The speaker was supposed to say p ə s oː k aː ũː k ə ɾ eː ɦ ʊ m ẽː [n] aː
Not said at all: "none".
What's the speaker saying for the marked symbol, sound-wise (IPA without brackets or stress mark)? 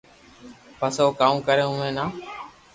n